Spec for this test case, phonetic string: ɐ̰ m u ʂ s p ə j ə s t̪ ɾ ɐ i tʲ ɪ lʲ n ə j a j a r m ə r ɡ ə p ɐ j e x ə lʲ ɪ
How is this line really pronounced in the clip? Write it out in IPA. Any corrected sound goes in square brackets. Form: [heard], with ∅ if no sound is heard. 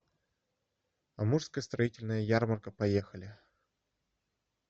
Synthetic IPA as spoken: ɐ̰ m u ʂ s [k] ə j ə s t̪ ɾ ɐ i tʲ ɪ lʲ n ə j [ə] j a r m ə r [k] ə p ɐ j e x ə lʲ ɪ